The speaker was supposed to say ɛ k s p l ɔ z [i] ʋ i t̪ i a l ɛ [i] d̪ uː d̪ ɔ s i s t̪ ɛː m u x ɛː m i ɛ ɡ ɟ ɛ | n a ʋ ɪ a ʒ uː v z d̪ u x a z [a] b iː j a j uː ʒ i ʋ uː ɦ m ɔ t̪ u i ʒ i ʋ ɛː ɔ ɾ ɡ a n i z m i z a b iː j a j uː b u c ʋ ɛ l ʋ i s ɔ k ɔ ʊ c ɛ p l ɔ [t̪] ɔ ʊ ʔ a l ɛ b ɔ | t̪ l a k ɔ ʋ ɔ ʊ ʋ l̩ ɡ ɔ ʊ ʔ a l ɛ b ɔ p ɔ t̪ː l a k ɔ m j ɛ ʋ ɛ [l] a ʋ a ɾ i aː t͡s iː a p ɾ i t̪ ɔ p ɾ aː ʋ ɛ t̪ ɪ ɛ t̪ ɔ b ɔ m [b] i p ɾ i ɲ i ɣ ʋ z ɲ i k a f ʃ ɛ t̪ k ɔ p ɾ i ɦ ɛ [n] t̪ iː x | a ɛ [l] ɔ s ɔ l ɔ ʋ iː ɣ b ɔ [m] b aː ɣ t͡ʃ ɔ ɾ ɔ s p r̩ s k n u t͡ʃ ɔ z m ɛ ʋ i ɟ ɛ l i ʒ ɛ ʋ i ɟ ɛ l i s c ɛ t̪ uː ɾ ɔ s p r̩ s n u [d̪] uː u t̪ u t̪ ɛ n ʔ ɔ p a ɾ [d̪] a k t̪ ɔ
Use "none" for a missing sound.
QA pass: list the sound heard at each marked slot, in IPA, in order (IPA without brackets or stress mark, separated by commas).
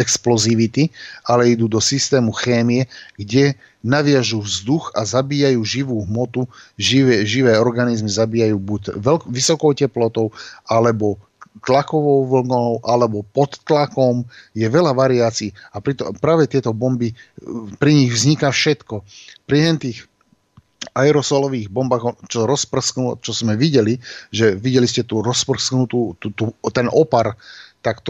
i, i, a, t̪, l, b, n, ɾ, m, t̪, t̪